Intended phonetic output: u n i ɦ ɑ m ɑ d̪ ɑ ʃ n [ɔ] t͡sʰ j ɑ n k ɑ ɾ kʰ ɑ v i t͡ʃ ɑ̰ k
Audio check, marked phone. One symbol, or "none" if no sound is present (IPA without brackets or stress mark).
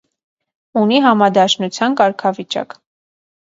u